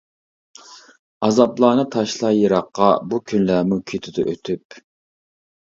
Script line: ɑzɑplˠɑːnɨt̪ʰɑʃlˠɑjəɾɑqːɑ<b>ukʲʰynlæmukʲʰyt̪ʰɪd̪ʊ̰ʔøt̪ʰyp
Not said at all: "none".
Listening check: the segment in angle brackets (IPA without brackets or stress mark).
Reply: b